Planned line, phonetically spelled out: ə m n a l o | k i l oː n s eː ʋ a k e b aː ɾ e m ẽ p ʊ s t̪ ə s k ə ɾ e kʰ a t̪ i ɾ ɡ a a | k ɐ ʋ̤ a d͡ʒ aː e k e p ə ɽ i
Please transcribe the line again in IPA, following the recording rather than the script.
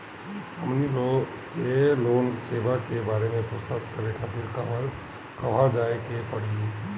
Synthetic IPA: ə m n i l o | k e l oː n s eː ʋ a k e b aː ɾ e m ẽ p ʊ s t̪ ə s k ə ɾ e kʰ a t̪ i ɾ k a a | k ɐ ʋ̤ a d͡ʒ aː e k e p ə ɽ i